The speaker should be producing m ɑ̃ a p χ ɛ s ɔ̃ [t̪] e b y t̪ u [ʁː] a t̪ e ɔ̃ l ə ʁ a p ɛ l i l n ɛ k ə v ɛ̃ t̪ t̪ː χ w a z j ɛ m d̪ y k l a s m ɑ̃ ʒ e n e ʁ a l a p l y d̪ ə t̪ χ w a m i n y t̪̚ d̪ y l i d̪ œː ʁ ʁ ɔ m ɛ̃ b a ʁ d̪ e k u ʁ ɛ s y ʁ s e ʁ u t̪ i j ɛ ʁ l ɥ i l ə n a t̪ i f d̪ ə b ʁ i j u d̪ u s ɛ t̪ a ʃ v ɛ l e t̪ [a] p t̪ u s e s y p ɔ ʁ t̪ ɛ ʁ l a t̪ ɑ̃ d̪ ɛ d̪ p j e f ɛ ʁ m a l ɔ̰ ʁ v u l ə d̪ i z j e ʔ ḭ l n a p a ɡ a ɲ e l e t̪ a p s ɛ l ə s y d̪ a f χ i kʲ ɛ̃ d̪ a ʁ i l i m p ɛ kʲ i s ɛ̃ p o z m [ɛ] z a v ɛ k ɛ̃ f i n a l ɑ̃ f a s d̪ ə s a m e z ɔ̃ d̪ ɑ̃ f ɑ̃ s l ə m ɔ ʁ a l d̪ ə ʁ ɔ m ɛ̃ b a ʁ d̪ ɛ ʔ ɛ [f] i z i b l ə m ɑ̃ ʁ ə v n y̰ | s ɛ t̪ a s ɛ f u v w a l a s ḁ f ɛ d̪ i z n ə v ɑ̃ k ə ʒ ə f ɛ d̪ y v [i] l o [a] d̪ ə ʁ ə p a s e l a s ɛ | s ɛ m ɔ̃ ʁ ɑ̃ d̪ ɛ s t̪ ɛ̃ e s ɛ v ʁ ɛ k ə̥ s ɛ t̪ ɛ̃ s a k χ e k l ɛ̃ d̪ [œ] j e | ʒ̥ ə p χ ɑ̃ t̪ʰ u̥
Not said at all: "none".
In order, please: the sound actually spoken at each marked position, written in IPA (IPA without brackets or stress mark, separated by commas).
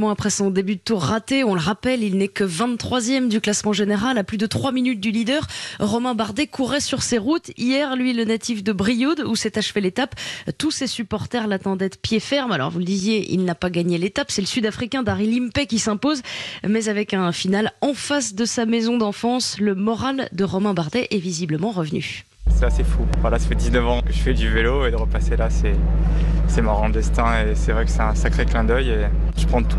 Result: d̪, ʁː, a, ɛ, v, e, e, œ